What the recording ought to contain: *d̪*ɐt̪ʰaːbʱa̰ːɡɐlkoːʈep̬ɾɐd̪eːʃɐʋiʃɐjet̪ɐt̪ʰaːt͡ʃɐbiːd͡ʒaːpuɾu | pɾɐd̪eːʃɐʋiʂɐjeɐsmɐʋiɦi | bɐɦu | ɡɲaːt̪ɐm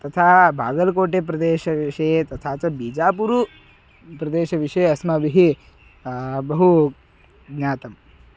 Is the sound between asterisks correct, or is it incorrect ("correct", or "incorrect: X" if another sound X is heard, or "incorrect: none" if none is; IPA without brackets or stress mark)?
incorrect: t̪